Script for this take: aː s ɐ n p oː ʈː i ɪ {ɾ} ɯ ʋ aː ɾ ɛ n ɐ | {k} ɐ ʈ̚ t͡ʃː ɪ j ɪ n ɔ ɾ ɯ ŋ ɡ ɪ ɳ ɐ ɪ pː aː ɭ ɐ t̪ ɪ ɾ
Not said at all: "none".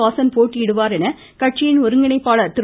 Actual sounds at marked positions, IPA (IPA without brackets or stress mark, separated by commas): ɽ, k